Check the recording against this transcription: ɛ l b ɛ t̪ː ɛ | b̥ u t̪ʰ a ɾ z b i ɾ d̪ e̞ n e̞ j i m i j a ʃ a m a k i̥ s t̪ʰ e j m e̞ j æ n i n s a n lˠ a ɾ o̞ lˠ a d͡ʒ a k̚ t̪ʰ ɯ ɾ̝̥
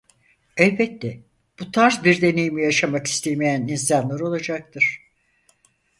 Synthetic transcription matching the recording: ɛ l b ɛ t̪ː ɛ | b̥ u t̪ʰ a ɾ z b i ɾ d̪ e̞ n e̞ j i m i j a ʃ a m a k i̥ s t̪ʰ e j m e̞ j æ n i n s a n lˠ a ɾ o̞ lˠ a d͡ʒ a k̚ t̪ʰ ɯ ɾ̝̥

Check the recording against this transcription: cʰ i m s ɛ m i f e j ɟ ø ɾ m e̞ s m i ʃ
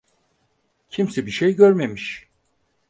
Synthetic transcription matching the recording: cʰ i m s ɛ b i ʃ e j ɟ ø ɾ m e̞ m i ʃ

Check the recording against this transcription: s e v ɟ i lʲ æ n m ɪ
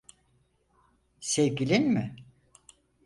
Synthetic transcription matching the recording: s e v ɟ i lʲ i n m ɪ

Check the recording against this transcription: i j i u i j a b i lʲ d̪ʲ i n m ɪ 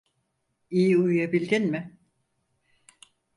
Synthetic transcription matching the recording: i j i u j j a b i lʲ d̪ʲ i n m ɪ

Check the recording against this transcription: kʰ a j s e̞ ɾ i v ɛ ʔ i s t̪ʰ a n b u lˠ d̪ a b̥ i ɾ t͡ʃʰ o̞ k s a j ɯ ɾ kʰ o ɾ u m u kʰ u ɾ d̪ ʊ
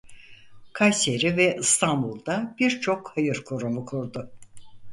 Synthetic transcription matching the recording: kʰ a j s e̞ ɾ i v ɛ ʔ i s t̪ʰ a n b u lˠ d̪ a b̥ i ɾ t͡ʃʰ o̞ k h a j ɯ ɾ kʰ o ɾ u m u kʰ u ɾ d̪ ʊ

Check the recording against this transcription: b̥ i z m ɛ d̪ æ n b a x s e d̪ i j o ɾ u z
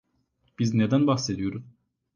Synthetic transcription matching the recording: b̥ i z n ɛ d̪ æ n b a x s e d̪ i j o ɾ u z

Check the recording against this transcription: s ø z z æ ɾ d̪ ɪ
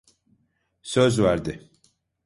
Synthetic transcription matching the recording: s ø z v æ ɾ d̪ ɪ

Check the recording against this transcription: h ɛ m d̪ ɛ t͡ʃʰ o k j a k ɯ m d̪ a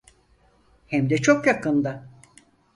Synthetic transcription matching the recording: h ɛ m d̪ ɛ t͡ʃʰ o k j a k ɯ n d̪ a

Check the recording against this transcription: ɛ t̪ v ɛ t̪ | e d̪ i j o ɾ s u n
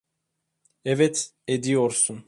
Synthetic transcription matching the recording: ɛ v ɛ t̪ | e d̪ i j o ɾ s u n

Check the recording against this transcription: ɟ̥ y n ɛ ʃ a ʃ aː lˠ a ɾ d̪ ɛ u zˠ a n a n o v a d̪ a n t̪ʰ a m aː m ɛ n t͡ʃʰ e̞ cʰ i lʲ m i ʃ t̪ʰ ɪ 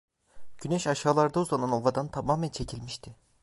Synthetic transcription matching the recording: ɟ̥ y n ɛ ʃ a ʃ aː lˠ a ɾ d̪ a u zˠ a n a n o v a d̪ a n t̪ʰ a m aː m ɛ n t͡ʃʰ e̞ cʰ i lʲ m i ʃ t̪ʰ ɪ

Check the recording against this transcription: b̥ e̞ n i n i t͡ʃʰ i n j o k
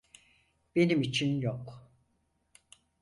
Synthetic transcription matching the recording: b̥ e̞ n i m i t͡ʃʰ i n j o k

